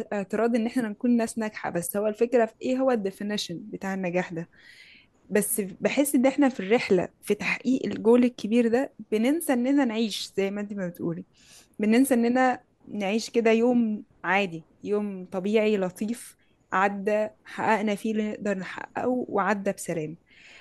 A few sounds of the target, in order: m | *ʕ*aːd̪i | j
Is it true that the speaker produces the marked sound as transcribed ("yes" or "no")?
yes